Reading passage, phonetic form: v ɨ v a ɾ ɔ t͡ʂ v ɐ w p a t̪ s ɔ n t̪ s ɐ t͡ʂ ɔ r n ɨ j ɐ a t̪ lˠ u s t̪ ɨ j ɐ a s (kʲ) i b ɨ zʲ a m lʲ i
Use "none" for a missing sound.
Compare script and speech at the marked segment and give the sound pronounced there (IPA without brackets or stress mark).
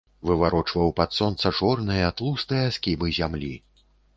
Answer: kʲ